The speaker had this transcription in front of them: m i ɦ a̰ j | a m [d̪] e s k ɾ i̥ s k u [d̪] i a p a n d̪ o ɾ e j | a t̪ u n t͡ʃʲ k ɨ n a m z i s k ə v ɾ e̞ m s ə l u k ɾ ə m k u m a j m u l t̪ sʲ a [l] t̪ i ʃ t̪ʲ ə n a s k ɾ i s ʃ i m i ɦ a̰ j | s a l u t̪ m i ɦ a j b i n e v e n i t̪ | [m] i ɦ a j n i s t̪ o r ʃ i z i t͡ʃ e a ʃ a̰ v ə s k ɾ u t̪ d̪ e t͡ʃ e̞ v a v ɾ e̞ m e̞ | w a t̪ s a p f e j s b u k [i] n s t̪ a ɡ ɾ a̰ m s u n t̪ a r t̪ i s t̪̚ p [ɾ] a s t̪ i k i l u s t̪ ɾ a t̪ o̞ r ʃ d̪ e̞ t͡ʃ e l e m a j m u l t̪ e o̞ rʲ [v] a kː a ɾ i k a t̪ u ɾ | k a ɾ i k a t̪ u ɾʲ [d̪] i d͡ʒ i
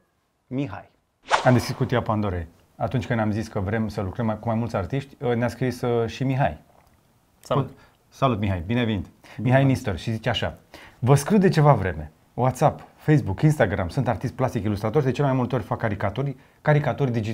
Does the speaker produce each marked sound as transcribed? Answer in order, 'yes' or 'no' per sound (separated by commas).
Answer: yes, no, no, yes, yes, no, no, yes